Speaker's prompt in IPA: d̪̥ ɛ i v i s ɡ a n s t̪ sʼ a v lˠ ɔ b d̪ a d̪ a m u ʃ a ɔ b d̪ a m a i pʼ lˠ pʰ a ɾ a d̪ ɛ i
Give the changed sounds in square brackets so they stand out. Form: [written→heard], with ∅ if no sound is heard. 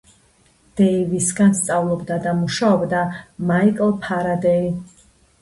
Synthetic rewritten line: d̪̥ ɛ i v i s ɡ a n s t̪ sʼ a v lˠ ɔ b d̪ a d̪ a m u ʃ a ɔ b d̪ a m a i [pʼ→kʼ] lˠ pʰ a ɾ a d̪ ɛ i